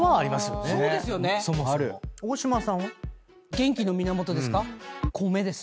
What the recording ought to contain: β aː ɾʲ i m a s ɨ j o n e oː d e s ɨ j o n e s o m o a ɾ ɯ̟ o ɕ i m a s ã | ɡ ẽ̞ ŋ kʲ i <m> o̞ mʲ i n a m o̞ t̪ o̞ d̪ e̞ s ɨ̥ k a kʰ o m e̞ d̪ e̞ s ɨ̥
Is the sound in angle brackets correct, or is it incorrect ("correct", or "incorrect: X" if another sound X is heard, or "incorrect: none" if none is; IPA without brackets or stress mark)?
incorrect: n